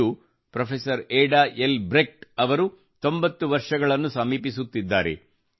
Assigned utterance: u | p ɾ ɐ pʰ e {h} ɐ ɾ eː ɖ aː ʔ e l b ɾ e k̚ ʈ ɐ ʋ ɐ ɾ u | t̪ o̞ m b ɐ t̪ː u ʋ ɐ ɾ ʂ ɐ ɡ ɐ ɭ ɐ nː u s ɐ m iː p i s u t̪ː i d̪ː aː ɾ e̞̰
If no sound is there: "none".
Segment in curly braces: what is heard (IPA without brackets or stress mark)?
s